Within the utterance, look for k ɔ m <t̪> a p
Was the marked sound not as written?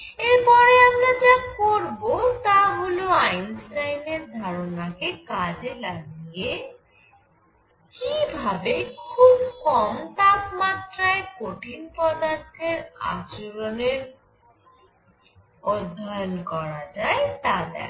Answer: no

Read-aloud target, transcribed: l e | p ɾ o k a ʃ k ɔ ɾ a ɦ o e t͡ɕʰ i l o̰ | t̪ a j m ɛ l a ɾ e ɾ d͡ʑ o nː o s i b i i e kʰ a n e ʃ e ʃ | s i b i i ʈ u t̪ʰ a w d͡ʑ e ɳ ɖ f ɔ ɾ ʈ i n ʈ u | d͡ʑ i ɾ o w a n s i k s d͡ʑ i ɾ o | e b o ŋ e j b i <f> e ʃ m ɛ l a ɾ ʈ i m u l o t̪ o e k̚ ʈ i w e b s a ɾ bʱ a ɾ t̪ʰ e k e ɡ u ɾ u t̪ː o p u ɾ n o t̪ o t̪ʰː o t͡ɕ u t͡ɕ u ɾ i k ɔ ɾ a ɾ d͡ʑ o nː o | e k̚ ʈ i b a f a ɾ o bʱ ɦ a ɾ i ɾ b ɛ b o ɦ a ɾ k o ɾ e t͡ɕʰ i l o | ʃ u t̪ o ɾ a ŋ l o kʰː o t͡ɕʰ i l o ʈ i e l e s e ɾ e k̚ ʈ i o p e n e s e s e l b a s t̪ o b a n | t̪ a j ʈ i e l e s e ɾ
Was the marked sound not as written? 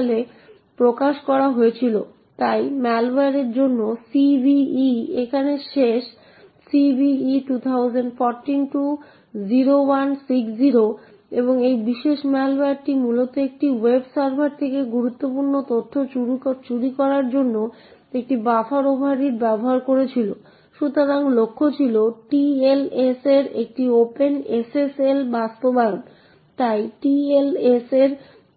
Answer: yes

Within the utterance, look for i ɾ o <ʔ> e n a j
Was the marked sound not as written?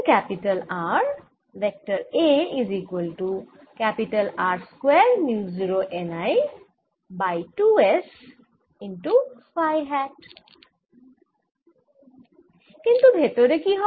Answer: no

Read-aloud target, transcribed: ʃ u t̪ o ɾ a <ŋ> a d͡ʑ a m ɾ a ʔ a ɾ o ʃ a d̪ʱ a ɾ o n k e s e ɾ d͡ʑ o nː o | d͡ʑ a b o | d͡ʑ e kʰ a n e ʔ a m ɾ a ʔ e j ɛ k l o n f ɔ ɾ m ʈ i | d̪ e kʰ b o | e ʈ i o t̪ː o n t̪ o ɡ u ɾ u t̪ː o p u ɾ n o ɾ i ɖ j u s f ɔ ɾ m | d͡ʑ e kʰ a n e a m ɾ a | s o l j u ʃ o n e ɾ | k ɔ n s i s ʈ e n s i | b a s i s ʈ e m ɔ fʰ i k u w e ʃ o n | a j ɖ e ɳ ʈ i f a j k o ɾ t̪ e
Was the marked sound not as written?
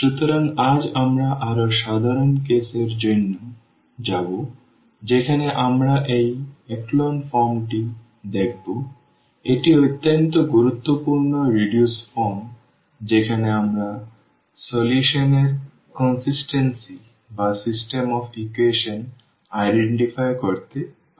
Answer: no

